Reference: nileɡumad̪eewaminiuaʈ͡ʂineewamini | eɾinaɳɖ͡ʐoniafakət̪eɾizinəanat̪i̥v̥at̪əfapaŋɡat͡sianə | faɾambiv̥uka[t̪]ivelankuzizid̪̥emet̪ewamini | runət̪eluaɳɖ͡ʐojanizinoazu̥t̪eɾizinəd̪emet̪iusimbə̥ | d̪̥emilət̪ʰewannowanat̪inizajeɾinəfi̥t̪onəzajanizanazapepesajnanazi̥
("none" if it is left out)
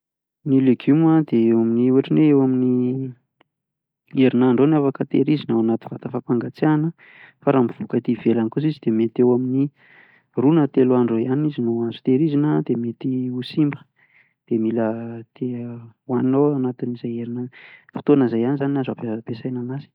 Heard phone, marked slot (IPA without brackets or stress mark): t̪